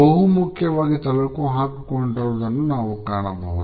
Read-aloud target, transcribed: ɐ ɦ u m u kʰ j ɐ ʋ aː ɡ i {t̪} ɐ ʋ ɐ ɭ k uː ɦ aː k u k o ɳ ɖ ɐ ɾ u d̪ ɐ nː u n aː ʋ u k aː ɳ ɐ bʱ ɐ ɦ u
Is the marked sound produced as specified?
yes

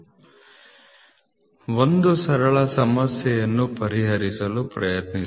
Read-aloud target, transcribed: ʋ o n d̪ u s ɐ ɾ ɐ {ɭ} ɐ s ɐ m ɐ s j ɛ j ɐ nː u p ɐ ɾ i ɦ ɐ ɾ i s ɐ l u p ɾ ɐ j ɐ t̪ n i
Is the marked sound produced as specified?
yes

